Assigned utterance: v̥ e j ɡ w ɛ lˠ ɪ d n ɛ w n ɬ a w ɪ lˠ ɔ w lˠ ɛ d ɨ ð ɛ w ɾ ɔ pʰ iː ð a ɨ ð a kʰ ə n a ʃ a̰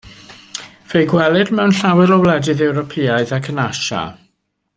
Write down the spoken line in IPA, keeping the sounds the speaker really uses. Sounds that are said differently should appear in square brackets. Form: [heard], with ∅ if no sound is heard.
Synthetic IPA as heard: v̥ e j ɡ w ɛ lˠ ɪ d [m] ɛ w n ɬ a w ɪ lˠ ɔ w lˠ ɛ d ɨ ð ɛ w ɾ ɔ pʰ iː [∅] a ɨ ð a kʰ ə n a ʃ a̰